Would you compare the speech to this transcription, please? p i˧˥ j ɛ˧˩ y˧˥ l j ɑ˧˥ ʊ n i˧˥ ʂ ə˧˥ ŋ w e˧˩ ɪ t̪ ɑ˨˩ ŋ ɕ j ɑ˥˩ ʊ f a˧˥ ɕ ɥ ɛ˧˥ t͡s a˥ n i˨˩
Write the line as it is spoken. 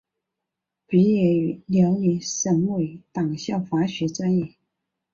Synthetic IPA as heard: p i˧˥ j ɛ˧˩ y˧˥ l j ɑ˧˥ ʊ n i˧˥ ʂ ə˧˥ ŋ w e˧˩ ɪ t̪ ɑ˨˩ ŋ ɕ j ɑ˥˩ ʊ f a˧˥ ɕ ɥ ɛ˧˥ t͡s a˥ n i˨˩